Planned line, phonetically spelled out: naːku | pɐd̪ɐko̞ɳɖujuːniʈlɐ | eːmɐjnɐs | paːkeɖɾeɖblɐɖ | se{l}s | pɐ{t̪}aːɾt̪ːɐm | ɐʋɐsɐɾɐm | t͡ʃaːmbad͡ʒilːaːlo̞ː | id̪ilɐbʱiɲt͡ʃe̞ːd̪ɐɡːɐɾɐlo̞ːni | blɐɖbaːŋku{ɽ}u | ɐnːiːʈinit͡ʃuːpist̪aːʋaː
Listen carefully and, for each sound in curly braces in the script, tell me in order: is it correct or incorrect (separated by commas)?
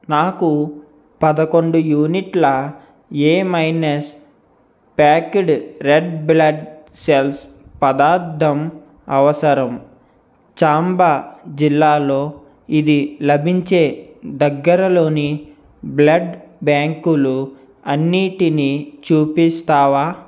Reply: correct, incorrect, incorrect